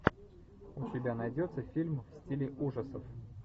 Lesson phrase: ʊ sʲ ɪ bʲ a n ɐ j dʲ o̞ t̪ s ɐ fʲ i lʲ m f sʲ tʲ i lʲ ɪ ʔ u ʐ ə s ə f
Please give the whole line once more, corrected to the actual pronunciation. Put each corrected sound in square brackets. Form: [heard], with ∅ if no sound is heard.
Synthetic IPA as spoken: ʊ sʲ ɪ bʲ a n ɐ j dʲ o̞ t̪ s [ə] fʲ i lʲ m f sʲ tʲ i lʲ ɪ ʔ u ʐ ə s ə f